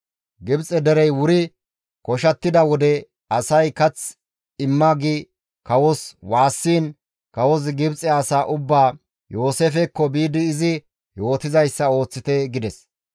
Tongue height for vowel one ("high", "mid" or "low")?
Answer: high